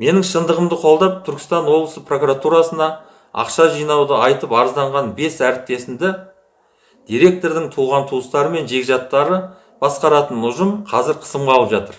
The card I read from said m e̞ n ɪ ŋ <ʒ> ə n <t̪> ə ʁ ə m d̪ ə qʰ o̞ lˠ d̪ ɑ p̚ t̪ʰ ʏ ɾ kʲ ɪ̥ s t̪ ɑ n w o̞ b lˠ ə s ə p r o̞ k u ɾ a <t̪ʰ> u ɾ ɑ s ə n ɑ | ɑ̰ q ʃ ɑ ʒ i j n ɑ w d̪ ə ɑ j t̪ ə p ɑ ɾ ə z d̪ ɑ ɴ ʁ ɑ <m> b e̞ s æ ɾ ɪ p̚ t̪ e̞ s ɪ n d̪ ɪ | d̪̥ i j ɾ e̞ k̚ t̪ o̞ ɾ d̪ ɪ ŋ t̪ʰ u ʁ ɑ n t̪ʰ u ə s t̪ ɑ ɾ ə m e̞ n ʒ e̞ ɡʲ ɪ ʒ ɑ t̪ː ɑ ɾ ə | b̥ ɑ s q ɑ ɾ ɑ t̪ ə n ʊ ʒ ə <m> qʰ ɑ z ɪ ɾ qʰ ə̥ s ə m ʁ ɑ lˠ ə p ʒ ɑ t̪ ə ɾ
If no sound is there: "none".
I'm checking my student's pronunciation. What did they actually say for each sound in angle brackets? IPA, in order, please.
ʃ, d̪, t̪, n, m

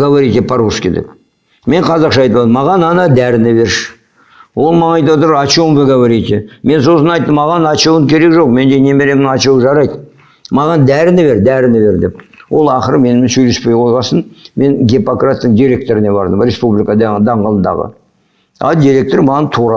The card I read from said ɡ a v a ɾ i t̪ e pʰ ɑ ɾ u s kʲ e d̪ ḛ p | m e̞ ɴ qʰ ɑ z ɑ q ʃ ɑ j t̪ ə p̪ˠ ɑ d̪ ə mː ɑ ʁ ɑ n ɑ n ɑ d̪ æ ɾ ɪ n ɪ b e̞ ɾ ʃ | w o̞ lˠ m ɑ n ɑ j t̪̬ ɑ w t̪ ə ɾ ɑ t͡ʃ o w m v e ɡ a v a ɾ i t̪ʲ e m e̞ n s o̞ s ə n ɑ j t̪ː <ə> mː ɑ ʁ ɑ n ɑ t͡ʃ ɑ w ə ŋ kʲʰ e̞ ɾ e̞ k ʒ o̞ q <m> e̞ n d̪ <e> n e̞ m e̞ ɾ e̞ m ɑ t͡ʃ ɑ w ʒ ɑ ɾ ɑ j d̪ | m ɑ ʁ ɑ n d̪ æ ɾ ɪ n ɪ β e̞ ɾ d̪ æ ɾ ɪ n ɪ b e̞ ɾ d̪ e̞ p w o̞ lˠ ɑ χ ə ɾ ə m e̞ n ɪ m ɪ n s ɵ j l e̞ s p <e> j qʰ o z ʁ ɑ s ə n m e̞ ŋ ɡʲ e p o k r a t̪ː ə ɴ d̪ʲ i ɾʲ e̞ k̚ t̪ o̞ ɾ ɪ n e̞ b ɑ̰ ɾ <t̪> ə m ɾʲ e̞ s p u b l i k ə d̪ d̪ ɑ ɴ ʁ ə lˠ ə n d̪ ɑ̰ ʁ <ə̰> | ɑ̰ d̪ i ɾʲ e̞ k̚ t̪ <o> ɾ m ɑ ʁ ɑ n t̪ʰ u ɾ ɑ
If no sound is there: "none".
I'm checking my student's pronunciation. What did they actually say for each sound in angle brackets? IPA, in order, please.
ə, m, e, e, d̪, ə̰, o

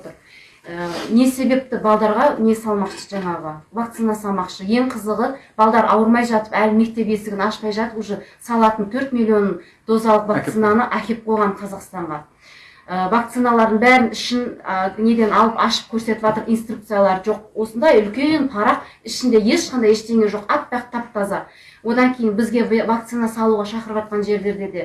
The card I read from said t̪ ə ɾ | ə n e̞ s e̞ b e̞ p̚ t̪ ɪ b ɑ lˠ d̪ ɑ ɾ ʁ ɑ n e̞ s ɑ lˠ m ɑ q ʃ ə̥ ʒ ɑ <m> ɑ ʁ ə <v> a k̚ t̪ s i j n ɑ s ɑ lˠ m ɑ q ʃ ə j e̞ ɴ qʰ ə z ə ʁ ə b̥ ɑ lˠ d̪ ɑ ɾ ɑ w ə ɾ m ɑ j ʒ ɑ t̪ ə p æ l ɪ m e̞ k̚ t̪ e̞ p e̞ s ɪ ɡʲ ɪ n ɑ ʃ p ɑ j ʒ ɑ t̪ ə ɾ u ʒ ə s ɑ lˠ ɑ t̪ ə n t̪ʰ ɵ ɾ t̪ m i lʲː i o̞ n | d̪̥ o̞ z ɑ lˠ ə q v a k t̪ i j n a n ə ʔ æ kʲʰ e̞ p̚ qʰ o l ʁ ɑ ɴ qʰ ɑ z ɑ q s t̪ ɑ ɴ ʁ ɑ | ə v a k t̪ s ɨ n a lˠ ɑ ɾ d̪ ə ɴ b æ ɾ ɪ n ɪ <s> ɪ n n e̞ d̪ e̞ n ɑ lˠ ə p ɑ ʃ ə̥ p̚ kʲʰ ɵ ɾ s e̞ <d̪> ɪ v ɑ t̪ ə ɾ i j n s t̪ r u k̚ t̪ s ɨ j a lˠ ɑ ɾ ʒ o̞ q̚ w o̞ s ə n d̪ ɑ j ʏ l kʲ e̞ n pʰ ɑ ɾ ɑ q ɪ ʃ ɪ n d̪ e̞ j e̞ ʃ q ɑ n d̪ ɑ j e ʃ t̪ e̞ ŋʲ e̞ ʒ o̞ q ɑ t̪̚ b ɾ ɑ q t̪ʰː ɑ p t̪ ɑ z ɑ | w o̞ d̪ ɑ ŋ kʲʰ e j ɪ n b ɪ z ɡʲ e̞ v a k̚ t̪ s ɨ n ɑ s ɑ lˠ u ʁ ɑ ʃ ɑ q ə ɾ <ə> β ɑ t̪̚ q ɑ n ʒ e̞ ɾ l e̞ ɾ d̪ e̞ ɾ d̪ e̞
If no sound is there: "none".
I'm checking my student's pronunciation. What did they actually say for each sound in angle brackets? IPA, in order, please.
ɴ, v, ʃ, t̪, ə

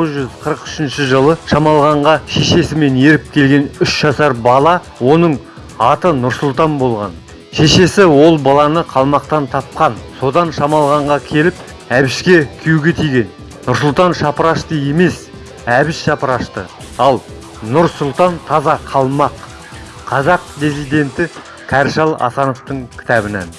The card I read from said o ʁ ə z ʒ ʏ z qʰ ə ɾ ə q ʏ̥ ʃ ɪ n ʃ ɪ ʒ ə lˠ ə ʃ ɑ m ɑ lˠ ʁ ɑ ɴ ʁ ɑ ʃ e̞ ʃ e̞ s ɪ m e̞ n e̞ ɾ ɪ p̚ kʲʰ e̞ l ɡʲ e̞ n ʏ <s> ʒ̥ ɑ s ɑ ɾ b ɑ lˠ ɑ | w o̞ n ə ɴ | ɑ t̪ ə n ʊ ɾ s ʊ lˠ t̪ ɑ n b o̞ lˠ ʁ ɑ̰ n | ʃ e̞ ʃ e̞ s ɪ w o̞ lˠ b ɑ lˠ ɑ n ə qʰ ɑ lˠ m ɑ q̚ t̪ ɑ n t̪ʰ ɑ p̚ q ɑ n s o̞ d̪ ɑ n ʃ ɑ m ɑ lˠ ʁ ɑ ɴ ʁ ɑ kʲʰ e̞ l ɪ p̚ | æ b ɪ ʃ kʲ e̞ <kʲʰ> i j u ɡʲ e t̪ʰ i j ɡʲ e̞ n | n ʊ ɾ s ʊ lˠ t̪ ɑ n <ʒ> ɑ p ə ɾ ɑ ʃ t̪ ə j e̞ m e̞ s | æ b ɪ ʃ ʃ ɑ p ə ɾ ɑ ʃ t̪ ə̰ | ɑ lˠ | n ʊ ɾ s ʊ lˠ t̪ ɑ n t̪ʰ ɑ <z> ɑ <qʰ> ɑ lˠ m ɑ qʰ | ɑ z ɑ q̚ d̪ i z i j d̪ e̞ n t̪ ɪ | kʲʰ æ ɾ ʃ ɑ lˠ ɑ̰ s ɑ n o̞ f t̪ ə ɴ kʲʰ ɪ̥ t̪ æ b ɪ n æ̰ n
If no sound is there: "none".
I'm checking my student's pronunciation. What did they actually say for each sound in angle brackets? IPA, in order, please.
ʃ, kʲʰ, ʃ, z, qʰ

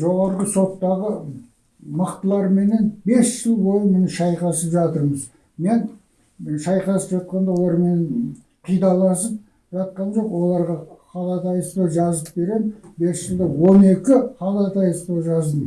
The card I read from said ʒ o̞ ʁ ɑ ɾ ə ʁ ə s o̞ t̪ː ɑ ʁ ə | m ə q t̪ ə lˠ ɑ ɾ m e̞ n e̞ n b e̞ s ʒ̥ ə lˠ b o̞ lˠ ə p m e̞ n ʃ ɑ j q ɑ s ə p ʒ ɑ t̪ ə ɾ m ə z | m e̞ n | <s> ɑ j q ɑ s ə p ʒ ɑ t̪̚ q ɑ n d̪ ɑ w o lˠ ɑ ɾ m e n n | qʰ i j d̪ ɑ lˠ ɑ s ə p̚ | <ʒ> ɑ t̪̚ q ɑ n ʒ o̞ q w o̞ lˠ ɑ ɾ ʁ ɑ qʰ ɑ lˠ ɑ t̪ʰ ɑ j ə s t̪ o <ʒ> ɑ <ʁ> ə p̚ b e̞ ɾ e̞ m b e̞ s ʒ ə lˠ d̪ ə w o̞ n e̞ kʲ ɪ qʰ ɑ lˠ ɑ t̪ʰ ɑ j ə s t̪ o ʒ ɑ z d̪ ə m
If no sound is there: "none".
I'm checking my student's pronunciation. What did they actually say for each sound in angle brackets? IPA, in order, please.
ʃ, ʒ, ʒ, z

